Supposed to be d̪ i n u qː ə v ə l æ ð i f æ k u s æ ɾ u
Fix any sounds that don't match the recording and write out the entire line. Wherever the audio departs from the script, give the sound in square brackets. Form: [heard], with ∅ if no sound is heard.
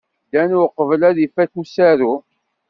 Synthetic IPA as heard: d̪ [æ] n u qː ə v ə l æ ð i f æ k u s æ ɾ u